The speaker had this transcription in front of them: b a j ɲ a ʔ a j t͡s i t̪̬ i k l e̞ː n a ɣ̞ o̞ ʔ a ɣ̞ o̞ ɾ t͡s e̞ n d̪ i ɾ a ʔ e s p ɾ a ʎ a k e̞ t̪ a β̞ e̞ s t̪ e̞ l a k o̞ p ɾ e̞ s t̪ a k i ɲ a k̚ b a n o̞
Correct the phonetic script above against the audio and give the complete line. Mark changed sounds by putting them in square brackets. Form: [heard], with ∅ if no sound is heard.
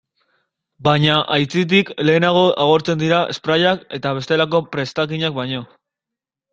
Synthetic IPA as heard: b a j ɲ a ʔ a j t͡s i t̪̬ i k l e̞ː n a ɣ̞ o̞ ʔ a ɣ̞ o̞ ɾ t͡s e̞ n d̪ i ɾ a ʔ e s p ɾ a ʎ a k e̞ t̪ a β̞ e̞ s t̪ e̞ l a k o̞ p ɾ e̞ s t̪ a k i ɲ a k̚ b a [ɲ] o̞